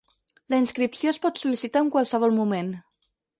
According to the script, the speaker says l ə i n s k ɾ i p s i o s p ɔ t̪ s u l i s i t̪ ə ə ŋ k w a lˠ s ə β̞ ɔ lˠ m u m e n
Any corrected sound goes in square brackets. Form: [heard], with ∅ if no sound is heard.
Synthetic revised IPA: l ə i n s k ɾ i p s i o s p ɔ t̪ s u l i s i t̪ [a] ə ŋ k w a lˠ s ə β̞ ɔ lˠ m u m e n